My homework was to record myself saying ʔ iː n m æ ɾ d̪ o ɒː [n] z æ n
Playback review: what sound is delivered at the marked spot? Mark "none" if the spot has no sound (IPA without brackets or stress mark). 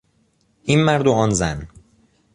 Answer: n